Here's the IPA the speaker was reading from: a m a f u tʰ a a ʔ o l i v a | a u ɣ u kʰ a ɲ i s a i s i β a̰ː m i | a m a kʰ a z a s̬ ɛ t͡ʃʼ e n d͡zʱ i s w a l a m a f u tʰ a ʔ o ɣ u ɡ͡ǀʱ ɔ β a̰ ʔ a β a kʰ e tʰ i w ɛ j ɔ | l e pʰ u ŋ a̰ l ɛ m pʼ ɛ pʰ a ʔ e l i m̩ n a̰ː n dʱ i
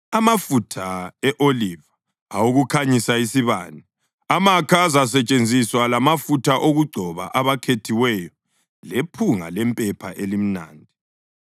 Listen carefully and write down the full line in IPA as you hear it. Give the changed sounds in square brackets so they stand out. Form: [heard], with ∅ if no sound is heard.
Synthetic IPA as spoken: a m a f u tʰ a [ɛ] ʔ o l i v a | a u ɣ u kʰ a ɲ i s a i s i β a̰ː [n] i | a m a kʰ a z a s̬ ɛ t͡ʃʼ e n d͡zʱ i s w a l a m a f u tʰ a ʔ o ɣ u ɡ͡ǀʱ ɔ β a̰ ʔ a β a kʰ e tʰ i w ɛ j ɔ | l e pʰ u ŋ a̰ l ɛ m pʼ ɛ pʰ a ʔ e l i m̩ n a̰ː n dʱ i